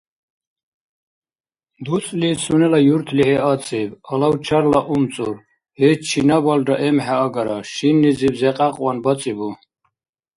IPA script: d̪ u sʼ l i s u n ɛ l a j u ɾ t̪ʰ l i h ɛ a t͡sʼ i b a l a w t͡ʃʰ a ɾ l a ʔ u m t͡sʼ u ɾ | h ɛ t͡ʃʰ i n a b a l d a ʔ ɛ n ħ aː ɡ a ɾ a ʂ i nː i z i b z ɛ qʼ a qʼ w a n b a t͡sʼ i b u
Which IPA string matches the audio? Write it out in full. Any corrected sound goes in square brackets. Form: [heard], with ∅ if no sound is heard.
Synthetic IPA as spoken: d̪ u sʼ l i s u n ɛ l a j u ɾ t̪ʰ l i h ɛ a t͡sʼ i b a l a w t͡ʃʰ a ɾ l a ʔ u m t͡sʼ u ɾ | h ɛ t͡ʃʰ i n a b a l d a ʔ ɛ [m] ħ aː ɡ a ɾ a [ʃ] i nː i z i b z ɛ qʼ a qʼ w a n b a t͡sʼ i b u